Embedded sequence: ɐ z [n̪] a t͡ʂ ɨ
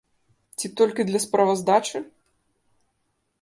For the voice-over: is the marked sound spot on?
no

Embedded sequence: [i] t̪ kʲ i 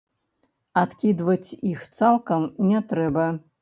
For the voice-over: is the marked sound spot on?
no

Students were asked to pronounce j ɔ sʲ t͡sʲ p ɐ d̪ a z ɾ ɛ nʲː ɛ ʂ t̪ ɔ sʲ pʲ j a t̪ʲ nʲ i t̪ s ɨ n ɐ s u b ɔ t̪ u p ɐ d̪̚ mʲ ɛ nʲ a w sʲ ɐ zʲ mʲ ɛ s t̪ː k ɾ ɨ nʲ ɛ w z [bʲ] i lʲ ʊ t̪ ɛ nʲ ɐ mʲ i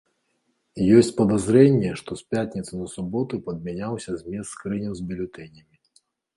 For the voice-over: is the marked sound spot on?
yes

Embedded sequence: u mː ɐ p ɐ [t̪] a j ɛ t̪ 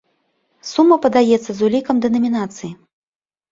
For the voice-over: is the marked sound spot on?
no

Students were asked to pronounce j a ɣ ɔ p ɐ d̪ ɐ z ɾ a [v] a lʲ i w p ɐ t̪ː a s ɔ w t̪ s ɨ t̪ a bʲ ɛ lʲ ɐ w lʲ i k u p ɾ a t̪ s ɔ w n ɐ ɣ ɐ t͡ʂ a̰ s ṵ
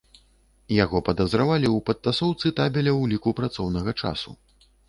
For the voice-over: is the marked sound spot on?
yes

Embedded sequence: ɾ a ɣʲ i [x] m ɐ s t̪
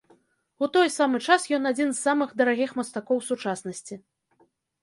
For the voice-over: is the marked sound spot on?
yes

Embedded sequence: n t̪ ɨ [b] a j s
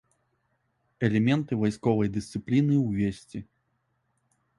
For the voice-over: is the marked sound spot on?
no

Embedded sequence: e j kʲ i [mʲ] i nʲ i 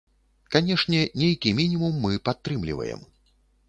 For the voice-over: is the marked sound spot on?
yes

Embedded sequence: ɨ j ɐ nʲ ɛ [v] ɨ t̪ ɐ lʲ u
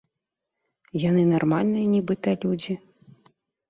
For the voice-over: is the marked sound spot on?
no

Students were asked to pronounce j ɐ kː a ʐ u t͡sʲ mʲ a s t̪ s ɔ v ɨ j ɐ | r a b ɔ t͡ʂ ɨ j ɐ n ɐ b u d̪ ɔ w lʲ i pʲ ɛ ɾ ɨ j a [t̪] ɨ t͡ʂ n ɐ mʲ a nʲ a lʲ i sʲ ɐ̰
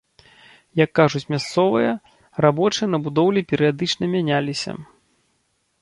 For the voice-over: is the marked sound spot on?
no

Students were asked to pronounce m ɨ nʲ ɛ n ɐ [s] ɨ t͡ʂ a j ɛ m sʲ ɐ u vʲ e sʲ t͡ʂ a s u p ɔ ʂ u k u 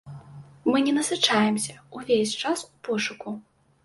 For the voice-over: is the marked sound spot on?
yes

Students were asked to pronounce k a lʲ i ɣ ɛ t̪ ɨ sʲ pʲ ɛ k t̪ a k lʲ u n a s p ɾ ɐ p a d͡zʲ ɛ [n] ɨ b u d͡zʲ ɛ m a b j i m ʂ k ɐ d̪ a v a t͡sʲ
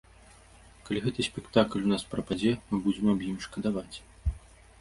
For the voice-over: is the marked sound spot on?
no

